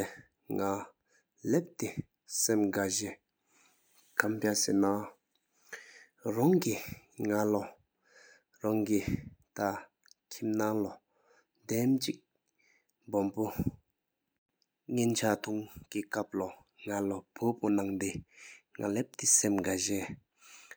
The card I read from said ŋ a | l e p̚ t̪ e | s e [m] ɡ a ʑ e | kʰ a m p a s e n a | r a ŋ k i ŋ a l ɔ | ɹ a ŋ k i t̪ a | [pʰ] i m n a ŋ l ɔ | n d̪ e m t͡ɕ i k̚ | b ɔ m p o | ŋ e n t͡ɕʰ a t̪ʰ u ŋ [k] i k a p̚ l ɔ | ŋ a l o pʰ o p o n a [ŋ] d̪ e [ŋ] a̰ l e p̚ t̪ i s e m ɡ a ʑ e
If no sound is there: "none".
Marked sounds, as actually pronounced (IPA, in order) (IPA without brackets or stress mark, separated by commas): m, kʰ, k, ŋ, ŋ